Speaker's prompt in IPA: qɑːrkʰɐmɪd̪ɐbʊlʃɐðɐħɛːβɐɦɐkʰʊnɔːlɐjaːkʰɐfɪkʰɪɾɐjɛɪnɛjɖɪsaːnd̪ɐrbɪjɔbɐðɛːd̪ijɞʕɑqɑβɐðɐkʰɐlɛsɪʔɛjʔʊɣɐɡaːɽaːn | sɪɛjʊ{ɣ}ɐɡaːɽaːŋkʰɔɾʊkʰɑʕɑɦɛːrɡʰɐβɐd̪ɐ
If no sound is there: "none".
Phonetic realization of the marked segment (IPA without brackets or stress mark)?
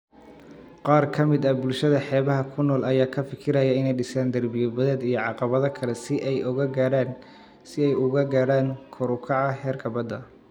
ɣ